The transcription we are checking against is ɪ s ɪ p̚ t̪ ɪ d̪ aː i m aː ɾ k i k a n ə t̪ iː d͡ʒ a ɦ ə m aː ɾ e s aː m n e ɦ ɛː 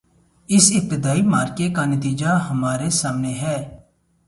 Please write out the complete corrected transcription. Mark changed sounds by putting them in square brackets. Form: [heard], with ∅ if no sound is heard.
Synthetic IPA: ɪ s ɪ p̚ t̪ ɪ d̪ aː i m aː ɾ k [e] k a n ə t̪ iː d͡ʒ a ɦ ə m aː ɾ e s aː m n e ɦ ɛː